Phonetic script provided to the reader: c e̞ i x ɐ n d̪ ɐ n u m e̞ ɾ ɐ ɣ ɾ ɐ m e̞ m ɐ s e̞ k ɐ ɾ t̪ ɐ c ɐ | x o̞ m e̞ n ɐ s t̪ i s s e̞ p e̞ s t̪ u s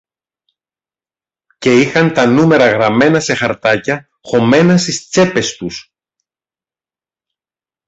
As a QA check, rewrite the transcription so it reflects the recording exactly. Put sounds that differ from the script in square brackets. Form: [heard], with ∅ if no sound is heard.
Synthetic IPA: c e̞ i x ɐ n [t̪] ɐ n u m e̞ ɾ ɐ ɣ ɾ ɐ m e̞ [n] ɐ s e̞ [x] ɐ ɾ t̪ ɐ c ɐ | x o̞ m e̞ n ɐ s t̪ i s [t͡s] e̞ p e̞ s t̪ u s

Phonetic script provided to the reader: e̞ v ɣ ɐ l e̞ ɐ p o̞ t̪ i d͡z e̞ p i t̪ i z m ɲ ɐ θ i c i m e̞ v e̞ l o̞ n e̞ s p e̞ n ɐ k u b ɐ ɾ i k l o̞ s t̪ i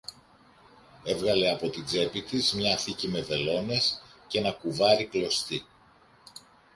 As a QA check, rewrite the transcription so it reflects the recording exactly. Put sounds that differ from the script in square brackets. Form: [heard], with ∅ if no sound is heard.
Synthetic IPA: e̞ v ɣ ɐ l e̞ ɐ p o̞ t̪ i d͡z e̞ p i t̪ i z m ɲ ɐ θ i c i m e̞ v e̞ l o̞ n e̞ s [c] e̞ n ɐ k u [v] ɐ ɾ i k l o̞ s t̪ i

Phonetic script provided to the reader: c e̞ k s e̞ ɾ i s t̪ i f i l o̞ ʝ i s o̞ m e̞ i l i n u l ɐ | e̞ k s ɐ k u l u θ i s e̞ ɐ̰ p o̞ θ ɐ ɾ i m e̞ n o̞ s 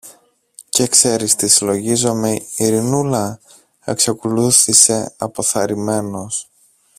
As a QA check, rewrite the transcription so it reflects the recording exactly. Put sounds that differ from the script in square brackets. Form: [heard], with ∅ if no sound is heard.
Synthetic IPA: c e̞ k s e̞ ɾ i s t̪ i [s] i l o̞ ʝ i [z] o̞ m e̞ i [ɾ] i n u l ɐ | e̞ k s ɐ k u l u θ i s e̞ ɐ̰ p o̞ θ ɐ ɾ i m e̞ n o̞ s

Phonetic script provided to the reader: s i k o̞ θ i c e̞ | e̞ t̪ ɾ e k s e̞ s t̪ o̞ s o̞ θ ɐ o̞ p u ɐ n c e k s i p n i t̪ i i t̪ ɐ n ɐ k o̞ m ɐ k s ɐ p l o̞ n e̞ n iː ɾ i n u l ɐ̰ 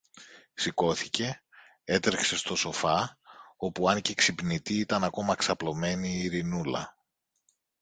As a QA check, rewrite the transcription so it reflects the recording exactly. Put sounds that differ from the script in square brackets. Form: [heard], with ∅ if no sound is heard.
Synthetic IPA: s i k o̞ θ i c e̞ | e̞ t̪ ɾ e k s e̞ s t̪ o̞ s o̞ [f] ɐ o̞ p u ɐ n c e k s i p n i t̪ i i t̪ ɐ n ɐ k o̞ m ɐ k s ɐ p l o̞ [m] e̞ n iː ɾ i n u l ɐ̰

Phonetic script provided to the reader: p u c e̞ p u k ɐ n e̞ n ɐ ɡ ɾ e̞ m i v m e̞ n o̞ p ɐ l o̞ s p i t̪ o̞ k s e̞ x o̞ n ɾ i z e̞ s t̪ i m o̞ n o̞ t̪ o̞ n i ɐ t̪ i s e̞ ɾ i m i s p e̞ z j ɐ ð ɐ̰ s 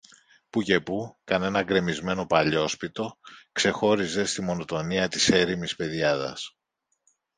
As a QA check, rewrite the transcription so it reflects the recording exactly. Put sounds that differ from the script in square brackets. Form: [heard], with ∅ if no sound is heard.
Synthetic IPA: p u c e̞ p u k ɐ n e̞ n ɐ ɡ ɾ e̞ m i [z] m e̞ n o̞ p ɐ [ʎ] o̞ s p i t̪ o̞ k s e̞ x o̞ [∅] ɾ i z e̞ s t̪ i m o̞ n o̞ t̪ o̞ n i ɐ t̪ i s e̞ ɾ i m i s p e̞ [ð] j ɐ ð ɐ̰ s

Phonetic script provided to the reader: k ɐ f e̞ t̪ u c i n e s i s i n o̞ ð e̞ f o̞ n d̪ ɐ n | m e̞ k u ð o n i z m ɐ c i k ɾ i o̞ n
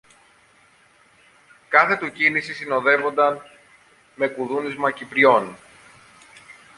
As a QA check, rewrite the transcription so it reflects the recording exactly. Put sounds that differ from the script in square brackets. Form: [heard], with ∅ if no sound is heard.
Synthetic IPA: k ɐ [θ] e̞ t̪ u c i n [i] s i s i n o̞ ð e̞ [v] o̞ n d̪ ɐ n | m e̞ k u ð [u] n i z m ɐ c i [p] ɾ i o̞ n

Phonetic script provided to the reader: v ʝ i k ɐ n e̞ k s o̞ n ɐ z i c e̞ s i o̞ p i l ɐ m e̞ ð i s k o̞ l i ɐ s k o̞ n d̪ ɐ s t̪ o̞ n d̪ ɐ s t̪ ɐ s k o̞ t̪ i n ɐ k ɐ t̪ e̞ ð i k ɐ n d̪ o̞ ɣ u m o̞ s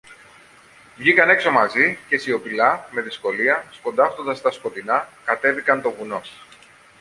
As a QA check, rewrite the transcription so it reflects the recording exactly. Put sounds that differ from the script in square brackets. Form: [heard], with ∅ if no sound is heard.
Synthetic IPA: v ʝ i k ɐ n e̞ k s o̞ [m] ɐ z i c e̞ s i o̞ p i l ɐ m e̞ ð i s k o̞ l i ɐ s k o̞ n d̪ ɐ [f] t̪ o̞ n d̪ ɐ s t̪ ɐ s k o̞ t̪ i n ɐ k ɐ t̪ e̞ [v] i k ɐ n [t̪] o̞ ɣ u [n] o̞ s

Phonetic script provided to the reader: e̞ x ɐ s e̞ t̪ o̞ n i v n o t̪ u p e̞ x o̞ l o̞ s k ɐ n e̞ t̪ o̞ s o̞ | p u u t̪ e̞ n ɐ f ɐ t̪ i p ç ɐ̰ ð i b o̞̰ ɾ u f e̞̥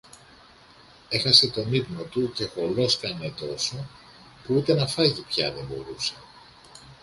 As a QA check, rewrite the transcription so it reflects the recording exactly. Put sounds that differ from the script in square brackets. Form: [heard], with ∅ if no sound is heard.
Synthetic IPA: e̞ x ɐ s e̞ t̪ o̞ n i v n o t̪ u [c] e̞ x o̞ l o̞ s k ɐ n e̞ t̪ o̞ s o̞ | p u u t̪ e̞ n ɐ f ɐ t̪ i p ç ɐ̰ ð [e] b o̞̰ ɾ u [s] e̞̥

